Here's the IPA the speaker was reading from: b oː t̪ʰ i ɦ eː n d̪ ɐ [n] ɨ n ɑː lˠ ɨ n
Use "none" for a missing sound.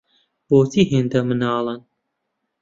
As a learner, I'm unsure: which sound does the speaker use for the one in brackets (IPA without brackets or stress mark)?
m